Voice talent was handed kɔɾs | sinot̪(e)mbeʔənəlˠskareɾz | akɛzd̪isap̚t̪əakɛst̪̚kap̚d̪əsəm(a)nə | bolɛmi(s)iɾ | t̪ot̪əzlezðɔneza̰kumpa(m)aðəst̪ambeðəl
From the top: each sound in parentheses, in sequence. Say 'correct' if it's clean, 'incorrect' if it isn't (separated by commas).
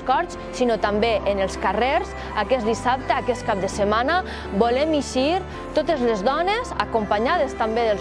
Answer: incorrect, correct, incorrect, incorrect